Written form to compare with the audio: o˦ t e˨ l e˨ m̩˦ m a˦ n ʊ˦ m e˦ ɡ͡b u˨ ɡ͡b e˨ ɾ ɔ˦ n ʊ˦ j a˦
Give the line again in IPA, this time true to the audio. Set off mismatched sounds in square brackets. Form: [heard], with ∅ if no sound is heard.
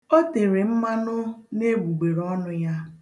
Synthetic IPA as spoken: o˦ t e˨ [ɾ] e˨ m̩˦ m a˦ n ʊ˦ [n] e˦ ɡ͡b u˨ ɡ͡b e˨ ɾ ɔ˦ n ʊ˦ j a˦